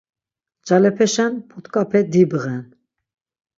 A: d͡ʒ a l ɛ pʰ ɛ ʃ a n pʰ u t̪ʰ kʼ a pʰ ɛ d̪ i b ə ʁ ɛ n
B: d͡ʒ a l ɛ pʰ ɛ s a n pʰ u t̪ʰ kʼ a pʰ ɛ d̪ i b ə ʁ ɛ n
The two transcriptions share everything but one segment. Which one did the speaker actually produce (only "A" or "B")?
A